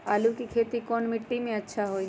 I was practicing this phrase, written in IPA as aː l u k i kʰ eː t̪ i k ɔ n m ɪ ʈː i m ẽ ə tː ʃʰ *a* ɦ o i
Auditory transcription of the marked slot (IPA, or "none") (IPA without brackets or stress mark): a